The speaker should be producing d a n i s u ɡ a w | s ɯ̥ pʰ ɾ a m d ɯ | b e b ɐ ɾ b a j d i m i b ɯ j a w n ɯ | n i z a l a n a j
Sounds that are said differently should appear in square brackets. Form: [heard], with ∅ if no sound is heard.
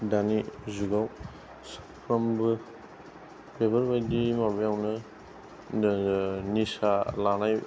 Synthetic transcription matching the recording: d a n i [z] u ɡ a w | s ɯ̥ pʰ ɾ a m [b] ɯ | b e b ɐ ɾ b a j d i m [a] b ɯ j a w n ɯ | n i [s] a l a n a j